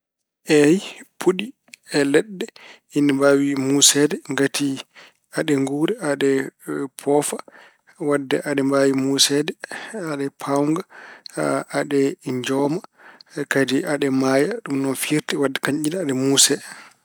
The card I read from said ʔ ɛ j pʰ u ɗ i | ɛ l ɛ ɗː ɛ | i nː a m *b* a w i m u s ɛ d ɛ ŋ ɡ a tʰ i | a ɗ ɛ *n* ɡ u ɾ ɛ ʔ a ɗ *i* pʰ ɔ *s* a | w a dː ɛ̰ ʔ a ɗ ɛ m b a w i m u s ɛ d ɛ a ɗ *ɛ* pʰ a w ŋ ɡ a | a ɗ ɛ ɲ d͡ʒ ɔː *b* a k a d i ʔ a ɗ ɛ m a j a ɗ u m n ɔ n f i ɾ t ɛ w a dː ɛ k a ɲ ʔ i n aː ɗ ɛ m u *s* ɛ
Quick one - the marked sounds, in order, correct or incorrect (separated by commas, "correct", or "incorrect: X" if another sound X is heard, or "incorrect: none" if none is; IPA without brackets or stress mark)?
correct, incorrect: ŋ, incorrect: ɛ, incorrect: f, correct, incorrect: m, correct